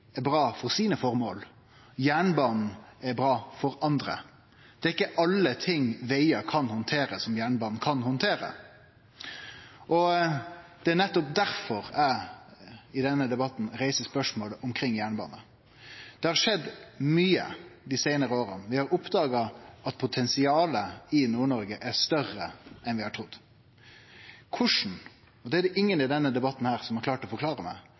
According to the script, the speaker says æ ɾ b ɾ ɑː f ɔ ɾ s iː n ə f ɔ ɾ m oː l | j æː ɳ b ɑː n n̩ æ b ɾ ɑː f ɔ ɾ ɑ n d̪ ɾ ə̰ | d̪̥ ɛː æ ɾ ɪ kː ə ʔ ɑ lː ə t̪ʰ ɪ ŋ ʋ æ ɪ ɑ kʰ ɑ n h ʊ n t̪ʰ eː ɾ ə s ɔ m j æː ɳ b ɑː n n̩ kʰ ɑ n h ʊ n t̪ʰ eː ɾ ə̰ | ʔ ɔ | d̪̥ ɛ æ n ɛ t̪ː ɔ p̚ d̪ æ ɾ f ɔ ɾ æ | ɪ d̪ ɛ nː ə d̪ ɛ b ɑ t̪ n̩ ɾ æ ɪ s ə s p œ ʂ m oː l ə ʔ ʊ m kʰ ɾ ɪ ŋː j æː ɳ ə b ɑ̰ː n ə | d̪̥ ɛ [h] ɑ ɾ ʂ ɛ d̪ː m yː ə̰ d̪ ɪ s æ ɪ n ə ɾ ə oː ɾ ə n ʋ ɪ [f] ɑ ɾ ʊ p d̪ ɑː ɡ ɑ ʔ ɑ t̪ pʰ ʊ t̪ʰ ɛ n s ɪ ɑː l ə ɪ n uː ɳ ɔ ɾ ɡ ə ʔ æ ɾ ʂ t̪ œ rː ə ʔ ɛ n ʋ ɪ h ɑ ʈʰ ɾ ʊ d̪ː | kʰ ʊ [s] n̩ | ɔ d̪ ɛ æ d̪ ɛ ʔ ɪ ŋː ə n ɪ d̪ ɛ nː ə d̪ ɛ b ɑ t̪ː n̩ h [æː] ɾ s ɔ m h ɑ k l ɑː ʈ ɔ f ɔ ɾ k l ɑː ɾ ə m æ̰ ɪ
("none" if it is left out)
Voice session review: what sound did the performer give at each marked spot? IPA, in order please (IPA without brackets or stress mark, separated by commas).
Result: h, h, ʂ, æː